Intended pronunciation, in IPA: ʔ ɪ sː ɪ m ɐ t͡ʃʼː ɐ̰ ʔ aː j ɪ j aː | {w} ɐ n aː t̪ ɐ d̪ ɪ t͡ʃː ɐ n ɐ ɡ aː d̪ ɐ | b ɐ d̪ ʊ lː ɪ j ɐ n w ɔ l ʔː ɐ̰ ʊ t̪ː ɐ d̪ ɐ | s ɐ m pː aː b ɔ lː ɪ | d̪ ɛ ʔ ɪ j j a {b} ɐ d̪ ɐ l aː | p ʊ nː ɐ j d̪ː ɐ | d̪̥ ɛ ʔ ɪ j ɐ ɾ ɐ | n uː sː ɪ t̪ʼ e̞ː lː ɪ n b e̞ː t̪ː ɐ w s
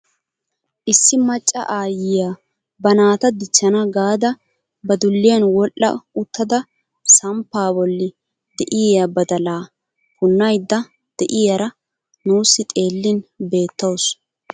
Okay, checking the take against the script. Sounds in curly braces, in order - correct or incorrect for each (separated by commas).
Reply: incorrect, correct